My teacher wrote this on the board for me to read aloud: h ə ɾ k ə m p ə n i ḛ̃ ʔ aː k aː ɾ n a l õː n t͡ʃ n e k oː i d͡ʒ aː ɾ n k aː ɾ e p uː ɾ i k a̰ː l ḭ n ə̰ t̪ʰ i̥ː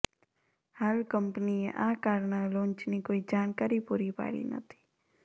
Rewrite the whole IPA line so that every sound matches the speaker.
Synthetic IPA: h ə l k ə m p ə n i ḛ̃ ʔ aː k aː ɾ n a l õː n t͡ʃ n i k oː i d͡ʒ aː n k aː ɾ i p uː ɾ i p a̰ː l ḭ n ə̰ t̪ʰ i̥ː